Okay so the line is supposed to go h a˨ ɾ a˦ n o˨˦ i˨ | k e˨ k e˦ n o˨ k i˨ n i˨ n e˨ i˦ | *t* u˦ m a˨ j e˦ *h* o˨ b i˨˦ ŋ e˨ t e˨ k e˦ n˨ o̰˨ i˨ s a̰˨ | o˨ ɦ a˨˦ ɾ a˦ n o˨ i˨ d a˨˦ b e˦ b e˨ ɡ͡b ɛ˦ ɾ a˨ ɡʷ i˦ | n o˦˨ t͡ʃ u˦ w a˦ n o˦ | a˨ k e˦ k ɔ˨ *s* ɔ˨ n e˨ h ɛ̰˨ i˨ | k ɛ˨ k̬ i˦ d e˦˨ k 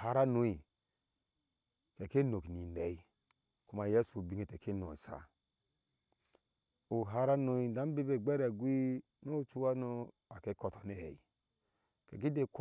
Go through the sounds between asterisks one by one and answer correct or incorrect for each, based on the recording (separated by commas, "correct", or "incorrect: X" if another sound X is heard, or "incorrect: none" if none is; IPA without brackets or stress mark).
incorrect: k, incorrect: s, incorrect: t